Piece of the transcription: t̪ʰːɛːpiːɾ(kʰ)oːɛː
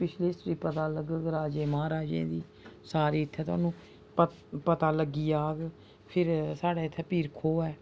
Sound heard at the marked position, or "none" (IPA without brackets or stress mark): kʰ